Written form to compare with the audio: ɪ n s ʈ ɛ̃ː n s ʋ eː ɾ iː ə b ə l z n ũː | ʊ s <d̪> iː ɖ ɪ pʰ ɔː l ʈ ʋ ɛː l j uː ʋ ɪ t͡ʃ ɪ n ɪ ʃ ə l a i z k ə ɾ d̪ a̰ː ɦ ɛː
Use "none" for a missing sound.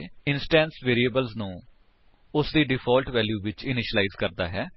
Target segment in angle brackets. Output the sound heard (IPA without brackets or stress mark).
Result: d̪